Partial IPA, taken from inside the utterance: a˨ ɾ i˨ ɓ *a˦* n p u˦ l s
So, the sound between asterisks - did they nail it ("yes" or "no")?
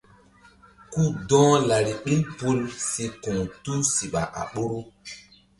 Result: no